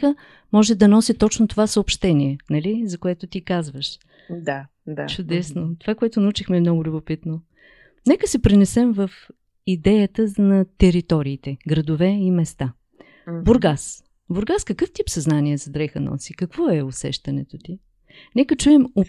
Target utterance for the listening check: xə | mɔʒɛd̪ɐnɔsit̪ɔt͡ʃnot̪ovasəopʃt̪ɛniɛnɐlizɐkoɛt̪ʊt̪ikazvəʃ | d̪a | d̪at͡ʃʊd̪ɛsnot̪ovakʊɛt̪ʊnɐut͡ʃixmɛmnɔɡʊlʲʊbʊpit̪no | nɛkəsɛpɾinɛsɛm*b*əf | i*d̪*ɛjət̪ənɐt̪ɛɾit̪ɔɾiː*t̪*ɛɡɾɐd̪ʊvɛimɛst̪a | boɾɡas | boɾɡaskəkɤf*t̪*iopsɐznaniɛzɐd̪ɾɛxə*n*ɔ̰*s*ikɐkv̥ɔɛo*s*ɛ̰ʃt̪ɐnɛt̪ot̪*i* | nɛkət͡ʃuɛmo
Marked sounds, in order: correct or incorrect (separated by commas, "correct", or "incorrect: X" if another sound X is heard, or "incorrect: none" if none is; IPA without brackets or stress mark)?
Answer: incorrect: v, correct, correct, correct, correct, correct, correct, correct